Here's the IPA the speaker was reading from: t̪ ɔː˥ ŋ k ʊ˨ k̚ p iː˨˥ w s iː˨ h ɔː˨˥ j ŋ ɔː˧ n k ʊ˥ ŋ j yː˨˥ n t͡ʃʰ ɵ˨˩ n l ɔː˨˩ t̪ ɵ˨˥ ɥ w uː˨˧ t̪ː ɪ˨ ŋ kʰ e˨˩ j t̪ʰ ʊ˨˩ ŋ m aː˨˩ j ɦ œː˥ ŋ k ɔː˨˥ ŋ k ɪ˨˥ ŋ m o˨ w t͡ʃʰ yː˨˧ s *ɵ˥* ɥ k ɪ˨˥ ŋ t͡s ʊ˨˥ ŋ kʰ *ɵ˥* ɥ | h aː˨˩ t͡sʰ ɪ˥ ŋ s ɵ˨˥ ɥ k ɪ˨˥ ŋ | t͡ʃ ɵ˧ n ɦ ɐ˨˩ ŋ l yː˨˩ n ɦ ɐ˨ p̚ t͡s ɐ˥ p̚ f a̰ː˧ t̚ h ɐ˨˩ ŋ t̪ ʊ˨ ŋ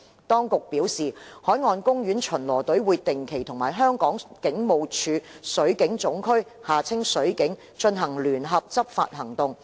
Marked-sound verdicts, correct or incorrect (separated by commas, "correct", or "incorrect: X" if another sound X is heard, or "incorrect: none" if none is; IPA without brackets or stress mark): incorrect: ɵ˨˥, correct